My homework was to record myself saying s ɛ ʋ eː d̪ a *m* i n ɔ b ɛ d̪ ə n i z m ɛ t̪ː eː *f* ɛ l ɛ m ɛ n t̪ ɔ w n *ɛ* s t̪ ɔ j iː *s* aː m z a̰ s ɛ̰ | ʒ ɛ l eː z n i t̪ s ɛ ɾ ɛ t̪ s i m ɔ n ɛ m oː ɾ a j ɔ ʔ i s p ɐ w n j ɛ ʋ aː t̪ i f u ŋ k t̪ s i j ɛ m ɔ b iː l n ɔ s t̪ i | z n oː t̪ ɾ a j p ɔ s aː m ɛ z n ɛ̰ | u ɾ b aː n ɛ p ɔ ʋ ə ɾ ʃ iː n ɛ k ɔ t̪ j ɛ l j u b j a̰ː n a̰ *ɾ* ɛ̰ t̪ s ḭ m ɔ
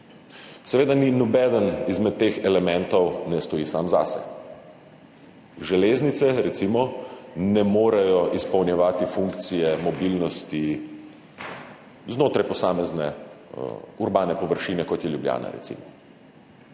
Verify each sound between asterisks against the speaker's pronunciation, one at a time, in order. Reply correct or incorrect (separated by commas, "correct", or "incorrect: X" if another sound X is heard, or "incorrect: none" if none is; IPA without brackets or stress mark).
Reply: incorrect: n, incorrect: x, correct, correct, correct